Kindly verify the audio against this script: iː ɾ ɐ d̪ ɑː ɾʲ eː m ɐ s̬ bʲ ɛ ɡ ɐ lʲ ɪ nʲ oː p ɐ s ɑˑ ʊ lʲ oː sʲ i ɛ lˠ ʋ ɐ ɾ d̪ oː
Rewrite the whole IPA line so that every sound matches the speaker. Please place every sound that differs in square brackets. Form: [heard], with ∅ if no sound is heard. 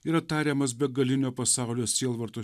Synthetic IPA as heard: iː ɾ ɐ [t̪] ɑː ɾʲ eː m ɐ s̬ bʲ ɛ ɡ ɐ lʲ ɪ nʲ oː p ɐ s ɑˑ ʊ lʲ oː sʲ i ɛ lˠ ʋ ɐ ɾ [t̪] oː